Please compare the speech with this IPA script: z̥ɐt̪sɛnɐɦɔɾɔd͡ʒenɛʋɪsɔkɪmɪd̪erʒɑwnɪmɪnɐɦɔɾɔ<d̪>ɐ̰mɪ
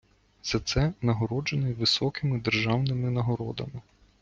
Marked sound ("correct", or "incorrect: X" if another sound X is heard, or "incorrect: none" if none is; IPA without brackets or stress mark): correct